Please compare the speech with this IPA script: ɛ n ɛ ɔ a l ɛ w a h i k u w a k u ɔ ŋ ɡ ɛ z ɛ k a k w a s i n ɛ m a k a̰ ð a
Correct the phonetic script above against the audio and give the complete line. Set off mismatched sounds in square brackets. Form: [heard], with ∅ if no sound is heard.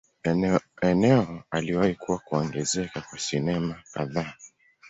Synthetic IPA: ɛ n ɛ ɔ a l [i] w a h i k u w a k u ɔ ŋ ɡ ɛ z ɛ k a k w a s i n ɛ m a k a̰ ð a